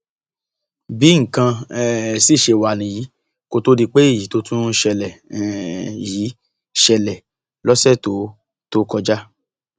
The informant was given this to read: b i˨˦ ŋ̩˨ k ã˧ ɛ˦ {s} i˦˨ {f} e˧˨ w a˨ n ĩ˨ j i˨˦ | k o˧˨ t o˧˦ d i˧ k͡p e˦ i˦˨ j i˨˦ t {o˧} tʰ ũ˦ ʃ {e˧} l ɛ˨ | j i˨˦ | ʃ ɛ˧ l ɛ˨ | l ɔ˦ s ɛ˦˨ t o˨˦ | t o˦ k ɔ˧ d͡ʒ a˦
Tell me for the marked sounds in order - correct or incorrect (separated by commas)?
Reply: correct, incorrect, correct, incorrect